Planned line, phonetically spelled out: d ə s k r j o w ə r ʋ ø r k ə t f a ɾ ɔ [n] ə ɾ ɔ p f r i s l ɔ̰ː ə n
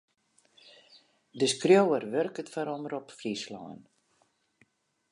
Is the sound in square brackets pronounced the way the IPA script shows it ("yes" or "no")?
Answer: no